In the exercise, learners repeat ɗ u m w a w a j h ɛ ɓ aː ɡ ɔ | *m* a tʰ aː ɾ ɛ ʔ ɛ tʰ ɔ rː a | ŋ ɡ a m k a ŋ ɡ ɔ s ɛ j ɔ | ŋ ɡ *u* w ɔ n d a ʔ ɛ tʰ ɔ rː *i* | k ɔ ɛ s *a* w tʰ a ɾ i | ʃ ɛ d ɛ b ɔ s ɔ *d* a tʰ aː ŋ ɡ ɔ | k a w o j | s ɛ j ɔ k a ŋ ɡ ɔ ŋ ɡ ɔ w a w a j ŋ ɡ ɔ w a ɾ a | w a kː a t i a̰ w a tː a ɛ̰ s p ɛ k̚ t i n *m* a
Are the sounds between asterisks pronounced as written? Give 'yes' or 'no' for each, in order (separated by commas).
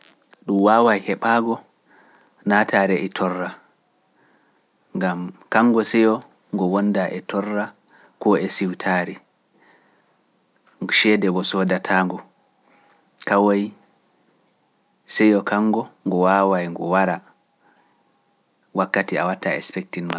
no, no, no, no, yes, yes